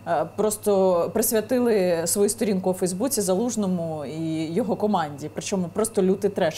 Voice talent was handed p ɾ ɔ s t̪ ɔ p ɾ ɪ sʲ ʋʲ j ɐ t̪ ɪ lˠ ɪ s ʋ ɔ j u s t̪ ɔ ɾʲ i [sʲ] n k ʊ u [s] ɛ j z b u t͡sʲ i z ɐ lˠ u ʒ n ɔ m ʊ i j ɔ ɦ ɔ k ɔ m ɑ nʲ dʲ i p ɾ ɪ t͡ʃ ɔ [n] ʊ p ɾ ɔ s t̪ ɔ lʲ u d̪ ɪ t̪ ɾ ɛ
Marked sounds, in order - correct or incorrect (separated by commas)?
incorrect, incorrect, incorrect